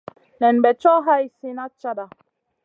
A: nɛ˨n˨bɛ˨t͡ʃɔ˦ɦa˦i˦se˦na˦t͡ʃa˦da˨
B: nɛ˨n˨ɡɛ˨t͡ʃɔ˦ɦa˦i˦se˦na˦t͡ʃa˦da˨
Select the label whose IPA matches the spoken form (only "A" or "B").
A